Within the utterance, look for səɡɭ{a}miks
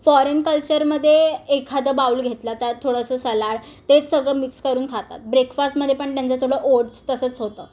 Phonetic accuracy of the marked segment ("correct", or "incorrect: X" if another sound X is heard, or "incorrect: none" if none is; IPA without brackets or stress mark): incorrect: ə